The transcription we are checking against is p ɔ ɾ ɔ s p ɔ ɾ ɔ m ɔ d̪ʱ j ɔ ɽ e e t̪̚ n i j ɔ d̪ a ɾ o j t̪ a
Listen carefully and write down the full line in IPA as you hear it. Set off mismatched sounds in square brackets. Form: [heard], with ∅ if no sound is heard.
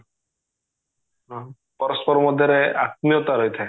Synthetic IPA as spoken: p ɔ ɾ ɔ s p ɔ ɾ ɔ m ɔ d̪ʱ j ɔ [ɾ] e [a] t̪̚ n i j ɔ [t̪] a ɾ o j [t̪ʰ] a